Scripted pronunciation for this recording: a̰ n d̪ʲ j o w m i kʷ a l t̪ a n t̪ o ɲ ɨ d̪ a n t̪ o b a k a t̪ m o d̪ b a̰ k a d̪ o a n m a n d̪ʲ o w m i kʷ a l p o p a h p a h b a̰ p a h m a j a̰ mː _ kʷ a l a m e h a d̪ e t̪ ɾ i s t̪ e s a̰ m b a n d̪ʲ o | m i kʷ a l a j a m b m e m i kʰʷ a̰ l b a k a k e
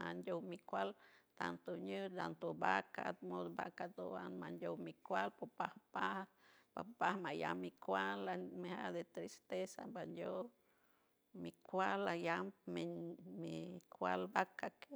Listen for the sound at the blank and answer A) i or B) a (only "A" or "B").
A